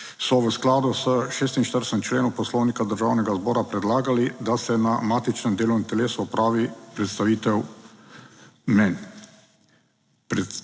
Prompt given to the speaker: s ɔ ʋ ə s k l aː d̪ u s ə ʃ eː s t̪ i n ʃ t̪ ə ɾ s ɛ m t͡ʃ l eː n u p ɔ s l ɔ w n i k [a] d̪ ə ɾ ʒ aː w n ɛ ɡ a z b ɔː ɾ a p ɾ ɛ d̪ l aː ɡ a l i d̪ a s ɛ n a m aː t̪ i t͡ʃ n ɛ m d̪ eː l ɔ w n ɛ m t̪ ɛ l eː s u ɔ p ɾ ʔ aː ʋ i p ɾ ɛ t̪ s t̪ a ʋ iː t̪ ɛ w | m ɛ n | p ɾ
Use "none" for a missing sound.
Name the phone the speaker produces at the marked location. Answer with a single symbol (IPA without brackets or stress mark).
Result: a